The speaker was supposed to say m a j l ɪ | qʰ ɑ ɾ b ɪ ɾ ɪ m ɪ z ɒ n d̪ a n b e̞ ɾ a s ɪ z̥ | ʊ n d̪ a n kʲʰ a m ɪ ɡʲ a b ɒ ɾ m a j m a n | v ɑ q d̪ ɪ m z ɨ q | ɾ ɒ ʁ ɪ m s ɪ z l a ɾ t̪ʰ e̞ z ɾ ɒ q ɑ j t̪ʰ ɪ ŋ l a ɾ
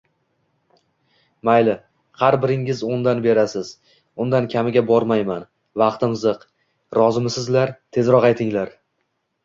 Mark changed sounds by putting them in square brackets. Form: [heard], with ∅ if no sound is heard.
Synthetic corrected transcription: m a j l ɪ | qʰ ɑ ɾ b ɪ ɾ ɪ [ŋ] ɪ z [o] n d̪ a n b e̞ ɾ a s ɪ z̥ | ʊ n d̪ a n kʲʰ a m ɪ ɡʲ a b ɒ ɾ m a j m a n | v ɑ q [t̪] ɪ m z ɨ q | ɾ ɒ [z] ɪ m s ɪ z l a ɾ t̪ʰ e̞ z ɾ ɒ q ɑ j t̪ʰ ɪ ŋ l a ɾ